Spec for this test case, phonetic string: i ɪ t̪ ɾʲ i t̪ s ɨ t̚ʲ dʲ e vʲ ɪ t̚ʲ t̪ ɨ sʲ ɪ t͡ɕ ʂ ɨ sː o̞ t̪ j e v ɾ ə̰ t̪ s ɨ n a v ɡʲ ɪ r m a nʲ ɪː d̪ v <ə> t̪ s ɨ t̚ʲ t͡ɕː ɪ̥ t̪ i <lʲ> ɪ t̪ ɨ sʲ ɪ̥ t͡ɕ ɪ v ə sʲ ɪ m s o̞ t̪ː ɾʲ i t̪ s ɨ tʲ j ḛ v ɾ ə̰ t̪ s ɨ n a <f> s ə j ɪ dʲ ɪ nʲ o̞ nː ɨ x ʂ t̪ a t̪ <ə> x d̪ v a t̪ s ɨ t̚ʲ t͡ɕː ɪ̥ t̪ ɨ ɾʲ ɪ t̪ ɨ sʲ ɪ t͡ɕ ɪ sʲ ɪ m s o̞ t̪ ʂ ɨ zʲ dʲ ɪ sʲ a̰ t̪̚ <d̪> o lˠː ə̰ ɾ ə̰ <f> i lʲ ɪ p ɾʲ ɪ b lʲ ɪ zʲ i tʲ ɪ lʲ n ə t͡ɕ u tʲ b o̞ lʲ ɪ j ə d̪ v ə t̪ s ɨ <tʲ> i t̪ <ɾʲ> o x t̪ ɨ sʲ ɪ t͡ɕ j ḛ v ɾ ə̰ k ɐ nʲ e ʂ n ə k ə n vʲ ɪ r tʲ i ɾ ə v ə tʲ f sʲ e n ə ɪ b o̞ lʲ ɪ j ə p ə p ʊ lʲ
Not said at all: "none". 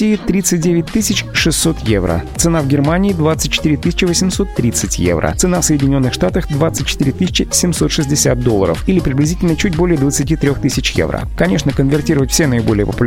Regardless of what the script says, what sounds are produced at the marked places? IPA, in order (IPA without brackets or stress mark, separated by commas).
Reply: a, ɾʲ, f, ə, d̪, f, tʲ, ɾʲ